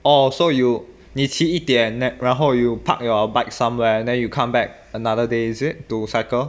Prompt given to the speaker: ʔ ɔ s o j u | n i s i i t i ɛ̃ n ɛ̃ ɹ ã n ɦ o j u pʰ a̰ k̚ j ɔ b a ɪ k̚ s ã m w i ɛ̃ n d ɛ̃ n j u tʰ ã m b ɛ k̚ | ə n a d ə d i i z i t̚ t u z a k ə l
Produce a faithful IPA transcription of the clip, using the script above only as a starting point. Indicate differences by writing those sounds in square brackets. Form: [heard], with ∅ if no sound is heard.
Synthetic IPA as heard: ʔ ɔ s o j u | n i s i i t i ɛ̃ n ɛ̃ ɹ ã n ɦ o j u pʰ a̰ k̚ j ɔ b a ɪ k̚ s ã m w [ɛ] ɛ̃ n d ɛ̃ n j u [kʰ] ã m b ɛ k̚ | ə n a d ə d [e] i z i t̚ t u [s] a k ə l